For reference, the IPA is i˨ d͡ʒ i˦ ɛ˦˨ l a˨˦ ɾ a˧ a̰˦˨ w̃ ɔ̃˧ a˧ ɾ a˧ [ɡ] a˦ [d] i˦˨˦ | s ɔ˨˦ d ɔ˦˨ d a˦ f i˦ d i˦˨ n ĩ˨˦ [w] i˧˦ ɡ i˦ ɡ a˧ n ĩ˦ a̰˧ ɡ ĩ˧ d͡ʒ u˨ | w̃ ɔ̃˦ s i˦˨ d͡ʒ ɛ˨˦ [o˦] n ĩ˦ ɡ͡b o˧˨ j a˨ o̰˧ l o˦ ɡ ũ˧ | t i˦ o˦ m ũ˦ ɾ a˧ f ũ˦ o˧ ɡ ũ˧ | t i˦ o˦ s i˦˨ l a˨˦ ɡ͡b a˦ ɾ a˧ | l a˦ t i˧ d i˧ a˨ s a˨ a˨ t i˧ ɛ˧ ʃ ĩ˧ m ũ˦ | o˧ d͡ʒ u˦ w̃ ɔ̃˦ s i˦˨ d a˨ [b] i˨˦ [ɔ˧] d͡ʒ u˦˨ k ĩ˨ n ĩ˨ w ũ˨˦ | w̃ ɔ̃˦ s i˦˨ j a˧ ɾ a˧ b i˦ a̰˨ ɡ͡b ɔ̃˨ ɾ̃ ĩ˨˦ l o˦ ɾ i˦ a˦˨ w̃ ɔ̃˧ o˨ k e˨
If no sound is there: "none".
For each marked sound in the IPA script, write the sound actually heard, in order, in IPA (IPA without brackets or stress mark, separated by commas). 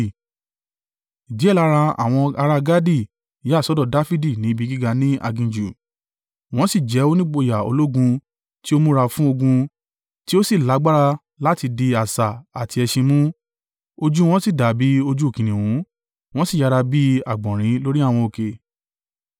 ɡ, d, b, o˦, b, o˧